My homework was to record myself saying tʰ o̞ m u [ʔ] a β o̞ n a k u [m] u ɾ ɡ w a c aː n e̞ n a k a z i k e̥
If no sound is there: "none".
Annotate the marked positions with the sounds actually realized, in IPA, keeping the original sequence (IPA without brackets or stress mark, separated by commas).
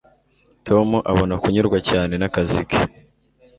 ʔ, ɲ